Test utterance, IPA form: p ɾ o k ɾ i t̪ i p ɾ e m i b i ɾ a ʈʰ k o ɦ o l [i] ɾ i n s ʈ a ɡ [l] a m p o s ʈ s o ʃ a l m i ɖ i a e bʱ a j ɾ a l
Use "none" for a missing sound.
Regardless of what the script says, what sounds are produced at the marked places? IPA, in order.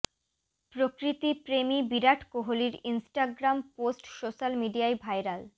i, ɾ

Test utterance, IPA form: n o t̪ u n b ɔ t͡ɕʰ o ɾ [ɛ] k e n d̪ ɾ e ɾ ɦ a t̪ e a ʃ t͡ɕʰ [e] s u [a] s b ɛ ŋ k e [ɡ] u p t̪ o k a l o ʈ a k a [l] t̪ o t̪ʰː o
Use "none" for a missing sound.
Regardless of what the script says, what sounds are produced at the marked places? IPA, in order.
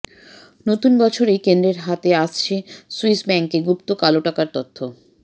e, e, i, ɡ, ɾ

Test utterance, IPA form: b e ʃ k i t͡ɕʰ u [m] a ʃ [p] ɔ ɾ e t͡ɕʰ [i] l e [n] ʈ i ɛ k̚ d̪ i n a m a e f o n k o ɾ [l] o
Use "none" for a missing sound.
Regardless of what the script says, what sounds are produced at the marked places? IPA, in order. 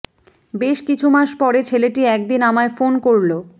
m, p, e, none, l

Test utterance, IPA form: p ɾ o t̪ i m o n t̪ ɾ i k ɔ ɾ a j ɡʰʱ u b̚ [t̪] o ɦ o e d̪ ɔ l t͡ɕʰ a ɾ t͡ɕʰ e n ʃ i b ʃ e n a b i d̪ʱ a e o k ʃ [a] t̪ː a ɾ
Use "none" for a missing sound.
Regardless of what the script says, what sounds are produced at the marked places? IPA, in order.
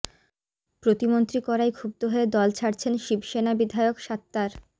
t̪, a

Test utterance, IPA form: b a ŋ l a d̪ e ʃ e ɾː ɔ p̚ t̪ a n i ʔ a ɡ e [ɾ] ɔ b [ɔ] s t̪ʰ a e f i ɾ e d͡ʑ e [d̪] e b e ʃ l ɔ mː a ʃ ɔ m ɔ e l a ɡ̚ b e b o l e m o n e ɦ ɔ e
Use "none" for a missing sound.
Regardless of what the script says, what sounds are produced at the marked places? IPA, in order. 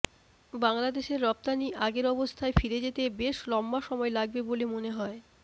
ɾ, o, t̪

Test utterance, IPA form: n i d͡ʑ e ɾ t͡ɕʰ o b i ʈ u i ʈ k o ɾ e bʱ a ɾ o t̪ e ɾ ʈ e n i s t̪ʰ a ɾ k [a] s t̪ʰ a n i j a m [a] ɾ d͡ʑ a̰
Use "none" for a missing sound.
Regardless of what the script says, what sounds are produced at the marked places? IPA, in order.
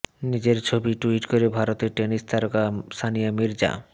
a, i

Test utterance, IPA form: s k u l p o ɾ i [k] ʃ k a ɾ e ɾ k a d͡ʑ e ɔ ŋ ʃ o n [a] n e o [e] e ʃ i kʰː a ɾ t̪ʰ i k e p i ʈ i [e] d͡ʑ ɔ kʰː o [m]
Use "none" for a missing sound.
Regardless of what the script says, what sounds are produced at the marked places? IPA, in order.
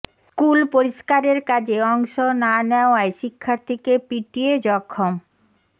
none, a, a, e, m

